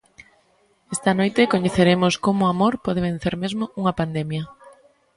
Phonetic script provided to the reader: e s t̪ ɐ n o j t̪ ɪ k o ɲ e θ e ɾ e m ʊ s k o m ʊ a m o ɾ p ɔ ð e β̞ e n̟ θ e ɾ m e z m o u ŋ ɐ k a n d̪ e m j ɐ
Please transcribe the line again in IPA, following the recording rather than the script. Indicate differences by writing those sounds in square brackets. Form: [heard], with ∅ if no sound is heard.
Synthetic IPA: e s t̪ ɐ n o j t̪ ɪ k o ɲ e θ e ɾ e m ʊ s k o m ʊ a m o ɾ p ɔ ð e β̞ e n̟ θ e ɾ m e z m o u ŋ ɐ [p] a n d̪ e m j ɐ